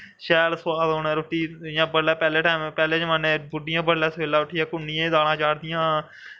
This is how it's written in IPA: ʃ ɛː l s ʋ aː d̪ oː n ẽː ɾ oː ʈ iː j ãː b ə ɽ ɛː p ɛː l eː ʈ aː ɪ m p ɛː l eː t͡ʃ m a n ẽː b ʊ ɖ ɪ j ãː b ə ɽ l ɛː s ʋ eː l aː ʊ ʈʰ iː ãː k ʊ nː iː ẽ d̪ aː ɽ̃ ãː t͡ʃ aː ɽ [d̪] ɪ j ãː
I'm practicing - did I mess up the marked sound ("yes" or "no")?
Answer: no